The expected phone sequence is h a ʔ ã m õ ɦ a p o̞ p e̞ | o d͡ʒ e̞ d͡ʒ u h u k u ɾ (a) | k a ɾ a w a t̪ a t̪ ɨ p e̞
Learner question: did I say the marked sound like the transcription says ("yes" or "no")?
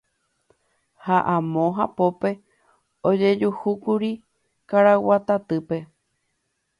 no